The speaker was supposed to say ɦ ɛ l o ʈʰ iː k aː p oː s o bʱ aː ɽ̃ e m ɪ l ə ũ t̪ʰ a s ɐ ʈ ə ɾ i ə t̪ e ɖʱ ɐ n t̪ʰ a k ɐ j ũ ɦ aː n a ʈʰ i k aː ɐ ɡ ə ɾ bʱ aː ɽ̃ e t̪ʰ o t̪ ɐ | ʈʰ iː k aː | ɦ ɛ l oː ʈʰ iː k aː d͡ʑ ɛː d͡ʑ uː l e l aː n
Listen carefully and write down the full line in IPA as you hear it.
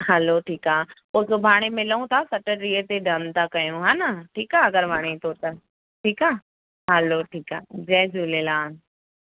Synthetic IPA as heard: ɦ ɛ l o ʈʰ iː k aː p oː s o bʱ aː ɽ̃ e m ɪ l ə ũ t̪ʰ a s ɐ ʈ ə ɾ i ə t̪ e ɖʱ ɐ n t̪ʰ a k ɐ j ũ ɦ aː n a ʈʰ iː k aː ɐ ɡ ə ɾ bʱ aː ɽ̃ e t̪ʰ o t̪ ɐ | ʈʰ iː k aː | ɦ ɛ l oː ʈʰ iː k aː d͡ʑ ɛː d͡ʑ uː l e l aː n